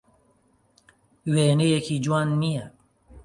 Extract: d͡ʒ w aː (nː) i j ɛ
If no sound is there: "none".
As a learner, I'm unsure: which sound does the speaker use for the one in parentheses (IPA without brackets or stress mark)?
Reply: nː